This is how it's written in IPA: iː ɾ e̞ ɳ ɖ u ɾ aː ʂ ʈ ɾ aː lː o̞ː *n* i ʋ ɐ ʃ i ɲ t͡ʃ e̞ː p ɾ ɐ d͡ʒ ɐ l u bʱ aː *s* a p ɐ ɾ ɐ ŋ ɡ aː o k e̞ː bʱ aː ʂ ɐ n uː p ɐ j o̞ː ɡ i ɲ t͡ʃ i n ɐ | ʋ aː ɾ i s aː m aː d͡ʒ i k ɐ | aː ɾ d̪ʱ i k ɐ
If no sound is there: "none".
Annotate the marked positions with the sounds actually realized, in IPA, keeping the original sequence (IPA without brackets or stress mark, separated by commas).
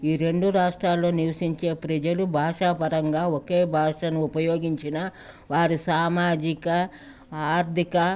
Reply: n, ʂ